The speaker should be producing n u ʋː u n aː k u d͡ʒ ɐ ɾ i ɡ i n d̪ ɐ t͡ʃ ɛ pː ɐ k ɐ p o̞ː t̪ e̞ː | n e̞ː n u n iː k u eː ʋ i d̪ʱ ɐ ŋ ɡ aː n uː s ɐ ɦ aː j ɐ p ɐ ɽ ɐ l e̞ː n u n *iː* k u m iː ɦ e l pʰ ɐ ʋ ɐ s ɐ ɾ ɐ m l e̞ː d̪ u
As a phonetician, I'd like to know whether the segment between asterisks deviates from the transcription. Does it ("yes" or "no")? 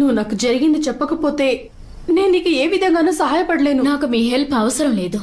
yes